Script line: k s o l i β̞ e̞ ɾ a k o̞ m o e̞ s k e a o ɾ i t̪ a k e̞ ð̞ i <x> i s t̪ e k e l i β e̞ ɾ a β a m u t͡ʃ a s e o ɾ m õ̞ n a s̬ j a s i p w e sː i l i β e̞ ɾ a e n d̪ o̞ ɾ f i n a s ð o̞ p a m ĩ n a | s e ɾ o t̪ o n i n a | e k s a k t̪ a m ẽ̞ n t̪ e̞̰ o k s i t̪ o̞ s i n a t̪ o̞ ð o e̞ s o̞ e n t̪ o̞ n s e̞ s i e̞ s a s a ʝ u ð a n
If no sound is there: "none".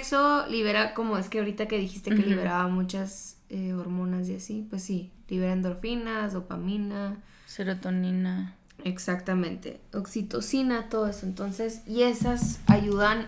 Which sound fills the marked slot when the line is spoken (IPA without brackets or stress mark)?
x